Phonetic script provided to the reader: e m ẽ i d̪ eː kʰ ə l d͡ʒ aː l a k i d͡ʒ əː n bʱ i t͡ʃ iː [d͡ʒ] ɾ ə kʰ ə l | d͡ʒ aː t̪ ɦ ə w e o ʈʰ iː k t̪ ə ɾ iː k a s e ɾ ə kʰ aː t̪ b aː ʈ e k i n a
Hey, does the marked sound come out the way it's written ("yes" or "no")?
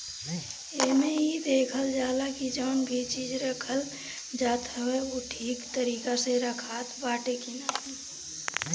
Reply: yes